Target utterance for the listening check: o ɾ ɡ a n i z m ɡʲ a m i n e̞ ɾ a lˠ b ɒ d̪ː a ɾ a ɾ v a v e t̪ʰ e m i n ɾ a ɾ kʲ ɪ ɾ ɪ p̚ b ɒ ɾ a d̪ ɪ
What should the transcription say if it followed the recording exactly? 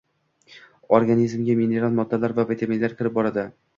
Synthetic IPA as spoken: o ɾ ɡ a n i z m ɡʲ a m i n e̞ ɾ a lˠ m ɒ d̪ː a l a ɾ v a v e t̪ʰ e m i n l a ɾ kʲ ɪ ɾ ɪ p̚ b ɒ ɾ a d̪ ɪ